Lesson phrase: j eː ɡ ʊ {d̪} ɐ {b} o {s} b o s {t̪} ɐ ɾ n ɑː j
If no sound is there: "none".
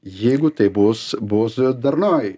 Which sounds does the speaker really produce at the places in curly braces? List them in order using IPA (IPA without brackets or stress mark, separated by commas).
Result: t̪, b, s, d̪